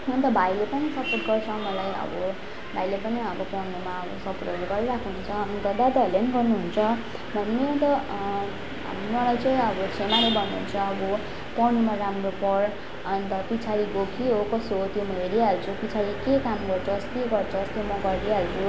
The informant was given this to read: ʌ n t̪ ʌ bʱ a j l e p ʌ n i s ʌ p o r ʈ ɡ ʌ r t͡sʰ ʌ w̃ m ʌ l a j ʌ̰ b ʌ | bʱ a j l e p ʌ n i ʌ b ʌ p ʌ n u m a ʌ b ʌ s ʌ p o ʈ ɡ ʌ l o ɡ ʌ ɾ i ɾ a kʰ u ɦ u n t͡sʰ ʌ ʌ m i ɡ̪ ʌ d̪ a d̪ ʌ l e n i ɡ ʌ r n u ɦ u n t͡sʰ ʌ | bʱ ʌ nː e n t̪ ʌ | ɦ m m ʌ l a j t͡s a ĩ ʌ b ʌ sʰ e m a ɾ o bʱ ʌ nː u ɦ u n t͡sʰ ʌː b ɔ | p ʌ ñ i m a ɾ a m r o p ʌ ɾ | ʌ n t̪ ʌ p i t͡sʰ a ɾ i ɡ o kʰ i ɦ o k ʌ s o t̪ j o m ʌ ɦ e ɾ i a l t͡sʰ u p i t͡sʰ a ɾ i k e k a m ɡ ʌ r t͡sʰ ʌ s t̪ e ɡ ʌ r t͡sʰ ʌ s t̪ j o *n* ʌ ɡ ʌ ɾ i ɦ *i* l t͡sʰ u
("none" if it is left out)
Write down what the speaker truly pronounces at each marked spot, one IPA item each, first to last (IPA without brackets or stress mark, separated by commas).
m, a